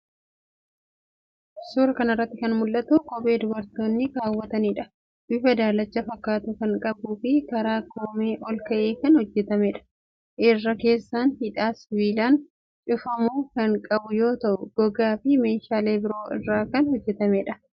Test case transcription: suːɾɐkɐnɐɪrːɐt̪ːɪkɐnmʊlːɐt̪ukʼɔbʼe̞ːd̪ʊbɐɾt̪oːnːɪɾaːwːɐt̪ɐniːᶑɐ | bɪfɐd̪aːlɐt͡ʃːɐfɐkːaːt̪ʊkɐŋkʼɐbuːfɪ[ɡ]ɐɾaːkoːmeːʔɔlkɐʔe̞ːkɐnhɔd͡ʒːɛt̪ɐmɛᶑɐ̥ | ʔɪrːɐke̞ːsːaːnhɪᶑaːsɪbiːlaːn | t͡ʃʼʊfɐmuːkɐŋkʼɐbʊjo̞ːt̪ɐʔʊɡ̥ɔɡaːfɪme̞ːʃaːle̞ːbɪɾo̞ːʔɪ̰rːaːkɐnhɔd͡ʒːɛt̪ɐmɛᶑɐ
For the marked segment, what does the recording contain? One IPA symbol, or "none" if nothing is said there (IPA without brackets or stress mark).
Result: k